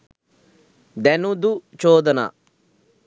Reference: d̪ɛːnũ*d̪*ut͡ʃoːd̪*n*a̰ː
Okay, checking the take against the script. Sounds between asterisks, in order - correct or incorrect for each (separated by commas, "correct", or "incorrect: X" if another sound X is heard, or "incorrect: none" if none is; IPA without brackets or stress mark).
correct, correct